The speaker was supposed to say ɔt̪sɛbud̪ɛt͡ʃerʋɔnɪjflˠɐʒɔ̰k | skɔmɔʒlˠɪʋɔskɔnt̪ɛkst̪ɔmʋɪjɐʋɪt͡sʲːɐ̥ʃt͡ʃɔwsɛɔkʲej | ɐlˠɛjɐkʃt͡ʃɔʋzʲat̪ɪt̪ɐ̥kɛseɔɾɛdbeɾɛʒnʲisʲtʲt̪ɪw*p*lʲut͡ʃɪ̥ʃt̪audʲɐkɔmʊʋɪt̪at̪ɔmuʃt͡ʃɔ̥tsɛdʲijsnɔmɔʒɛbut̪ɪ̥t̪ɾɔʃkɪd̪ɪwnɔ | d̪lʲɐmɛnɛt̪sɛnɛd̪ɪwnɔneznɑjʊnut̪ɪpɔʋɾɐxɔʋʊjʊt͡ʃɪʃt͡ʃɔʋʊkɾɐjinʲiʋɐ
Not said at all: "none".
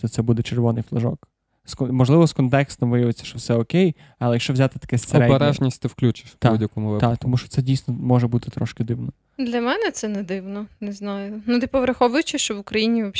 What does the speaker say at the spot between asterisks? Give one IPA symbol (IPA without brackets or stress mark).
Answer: k